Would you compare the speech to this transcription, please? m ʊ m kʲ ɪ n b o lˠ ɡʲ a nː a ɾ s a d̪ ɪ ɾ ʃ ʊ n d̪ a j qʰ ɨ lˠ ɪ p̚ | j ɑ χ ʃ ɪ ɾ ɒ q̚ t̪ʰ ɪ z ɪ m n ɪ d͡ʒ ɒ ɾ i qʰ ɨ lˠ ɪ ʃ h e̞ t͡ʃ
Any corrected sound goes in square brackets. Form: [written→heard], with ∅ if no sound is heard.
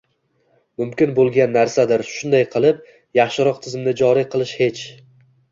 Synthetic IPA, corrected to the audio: m ʊ m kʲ ɪ n b o lˠ ɡʲ a nː a ɾ s a d̪ ɪ ɾ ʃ ʊ n d̪ a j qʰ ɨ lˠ ɪ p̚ | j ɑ χ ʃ ɪ ɾ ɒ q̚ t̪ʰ ɪ z ɪ m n ɪ d͡ʒ ɒ ɾ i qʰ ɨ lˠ ɪ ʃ h e̞ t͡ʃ